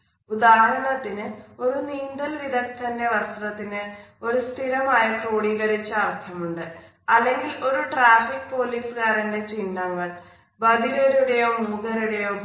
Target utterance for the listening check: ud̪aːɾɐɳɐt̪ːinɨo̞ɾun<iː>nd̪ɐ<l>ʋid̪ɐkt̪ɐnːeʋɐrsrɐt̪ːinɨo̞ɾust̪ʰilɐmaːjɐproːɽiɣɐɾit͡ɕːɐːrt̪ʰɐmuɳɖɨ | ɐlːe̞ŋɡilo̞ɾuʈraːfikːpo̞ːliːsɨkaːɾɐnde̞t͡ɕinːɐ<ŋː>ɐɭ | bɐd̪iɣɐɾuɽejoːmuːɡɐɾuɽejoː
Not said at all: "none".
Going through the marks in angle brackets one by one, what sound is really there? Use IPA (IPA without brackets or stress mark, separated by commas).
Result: iː, l, ŋː